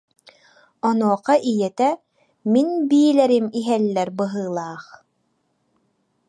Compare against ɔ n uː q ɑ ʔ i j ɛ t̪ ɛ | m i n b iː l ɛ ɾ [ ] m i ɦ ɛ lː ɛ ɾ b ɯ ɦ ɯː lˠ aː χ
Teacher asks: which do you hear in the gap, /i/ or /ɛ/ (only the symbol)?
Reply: i